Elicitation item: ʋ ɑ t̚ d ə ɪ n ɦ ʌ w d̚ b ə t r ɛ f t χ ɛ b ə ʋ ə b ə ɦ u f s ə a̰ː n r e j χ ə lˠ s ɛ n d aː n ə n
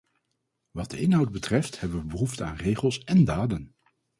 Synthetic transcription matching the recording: ʋ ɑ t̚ d ə ɪ n ɦ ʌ w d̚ b ə t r ɛ f t h ɛ b ə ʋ ə b ə ɦ u f t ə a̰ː n r e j χ ə lˠ s ɛ n d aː d ə n